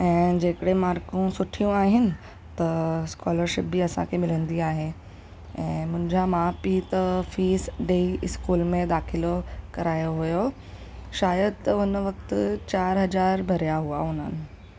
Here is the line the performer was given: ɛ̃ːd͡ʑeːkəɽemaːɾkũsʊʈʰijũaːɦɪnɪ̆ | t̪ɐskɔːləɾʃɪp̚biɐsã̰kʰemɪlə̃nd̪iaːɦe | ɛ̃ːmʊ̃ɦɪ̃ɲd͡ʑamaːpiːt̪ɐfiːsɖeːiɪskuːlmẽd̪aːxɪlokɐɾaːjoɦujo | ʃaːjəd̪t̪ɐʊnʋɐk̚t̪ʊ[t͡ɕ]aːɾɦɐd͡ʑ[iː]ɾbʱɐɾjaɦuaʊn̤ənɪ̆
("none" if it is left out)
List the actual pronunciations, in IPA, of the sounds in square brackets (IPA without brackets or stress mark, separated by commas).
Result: t͡ɕ, aː